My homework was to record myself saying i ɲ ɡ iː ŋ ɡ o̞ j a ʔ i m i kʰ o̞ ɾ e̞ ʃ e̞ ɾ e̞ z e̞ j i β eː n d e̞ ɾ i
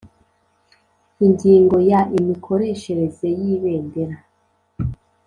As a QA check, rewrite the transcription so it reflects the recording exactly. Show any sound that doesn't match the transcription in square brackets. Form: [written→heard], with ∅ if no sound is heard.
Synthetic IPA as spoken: i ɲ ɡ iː ŋ ɡ o̞ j a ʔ i m i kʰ o̞ ɾ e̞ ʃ e̞ ɾ e̞ z e̞ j i β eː n d e̞ ɾ [i→a]